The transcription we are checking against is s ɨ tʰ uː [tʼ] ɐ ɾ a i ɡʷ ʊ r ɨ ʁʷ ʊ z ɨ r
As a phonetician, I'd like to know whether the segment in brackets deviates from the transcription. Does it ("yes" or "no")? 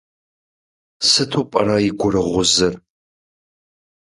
yes